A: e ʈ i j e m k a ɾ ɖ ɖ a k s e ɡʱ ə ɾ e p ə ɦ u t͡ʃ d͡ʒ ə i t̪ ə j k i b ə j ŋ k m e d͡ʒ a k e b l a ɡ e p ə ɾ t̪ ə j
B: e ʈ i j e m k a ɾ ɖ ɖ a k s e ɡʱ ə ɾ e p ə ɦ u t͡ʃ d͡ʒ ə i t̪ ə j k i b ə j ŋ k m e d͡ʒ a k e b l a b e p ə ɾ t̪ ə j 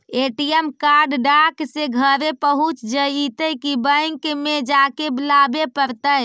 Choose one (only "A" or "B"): B